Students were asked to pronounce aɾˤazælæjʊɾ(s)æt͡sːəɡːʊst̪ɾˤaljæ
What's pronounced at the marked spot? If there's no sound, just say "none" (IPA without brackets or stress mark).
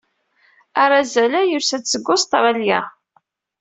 s